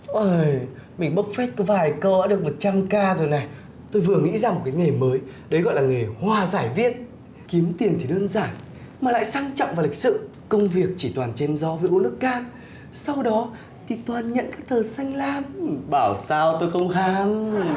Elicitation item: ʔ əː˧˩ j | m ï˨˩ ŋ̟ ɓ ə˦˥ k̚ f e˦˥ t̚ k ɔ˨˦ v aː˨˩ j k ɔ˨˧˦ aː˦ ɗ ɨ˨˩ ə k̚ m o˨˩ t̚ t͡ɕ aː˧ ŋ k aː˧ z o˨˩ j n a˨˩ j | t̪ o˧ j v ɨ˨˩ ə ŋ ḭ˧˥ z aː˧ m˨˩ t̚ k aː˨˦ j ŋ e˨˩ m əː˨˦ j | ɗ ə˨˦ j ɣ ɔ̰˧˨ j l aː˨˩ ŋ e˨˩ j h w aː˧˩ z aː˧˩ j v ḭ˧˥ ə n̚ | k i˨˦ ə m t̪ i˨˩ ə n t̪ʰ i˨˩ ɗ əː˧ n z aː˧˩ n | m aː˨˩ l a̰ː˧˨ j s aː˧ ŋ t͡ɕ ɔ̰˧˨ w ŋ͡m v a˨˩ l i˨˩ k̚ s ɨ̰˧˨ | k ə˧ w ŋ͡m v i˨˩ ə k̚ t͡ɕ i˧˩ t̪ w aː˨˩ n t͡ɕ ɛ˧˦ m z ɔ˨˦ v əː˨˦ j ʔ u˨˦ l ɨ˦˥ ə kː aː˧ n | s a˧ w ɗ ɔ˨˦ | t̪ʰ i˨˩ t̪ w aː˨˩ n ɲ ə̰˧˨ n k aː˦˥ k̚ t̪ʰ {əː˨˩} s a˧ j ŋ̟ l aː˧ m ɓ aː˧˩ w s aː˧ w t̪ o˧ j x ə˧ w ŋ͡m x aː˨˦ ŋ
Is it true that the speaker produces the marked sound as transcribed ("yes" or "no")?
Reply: yes